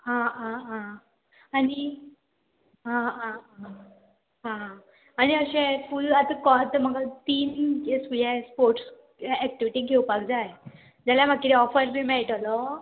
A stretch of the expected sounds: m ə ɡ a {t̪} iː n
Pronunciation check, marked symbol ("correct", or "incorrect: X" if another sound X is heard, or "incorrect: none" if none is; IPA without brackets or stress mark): correct